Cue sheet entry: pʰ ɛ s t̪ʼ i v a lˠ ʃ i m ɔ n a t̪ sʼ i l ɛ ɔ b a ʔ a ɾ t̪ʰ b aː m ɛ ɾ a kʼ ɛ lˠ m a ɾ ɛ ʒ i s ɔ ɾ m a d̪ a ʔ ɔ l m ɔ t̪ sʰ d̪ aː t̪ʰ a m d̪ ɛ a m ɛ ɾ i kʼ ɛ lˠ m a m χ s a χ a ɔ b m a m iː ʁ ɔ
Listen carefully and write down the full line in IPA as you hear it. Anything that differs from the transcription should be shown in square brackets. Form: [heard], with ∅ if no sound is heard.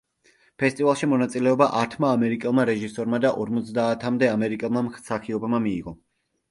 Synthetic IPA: pʰ ɛ s t̪ʼ i v a lˠ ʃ i m ɔ n a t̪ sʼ i l ɛ ɔ b a ʔ a ɾ t̪ʰ [m] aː m ɛ ɾ [i] kʼ ɛ lˠ m a ɾ ɛ ʒ i s ɔ ɾ m a d̪ a ʔ ɔ [ɾ] m ɔ t̪ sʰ d̪ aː t̪ʰ a m d̪ ɛ a m ɛ ɾ i kʼ ɛ lˠ m a m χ s a χ [i] ɔ b m a m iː ʁ ɔ